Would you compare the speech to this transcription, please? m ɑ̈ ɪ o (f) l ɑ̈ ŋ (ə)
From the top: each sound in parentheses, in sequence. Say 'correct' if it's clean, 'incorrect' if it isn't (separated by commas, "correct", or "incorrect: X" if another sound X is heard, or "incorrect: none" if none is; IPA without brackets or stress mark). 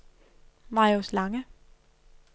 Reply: incorrect: s, correct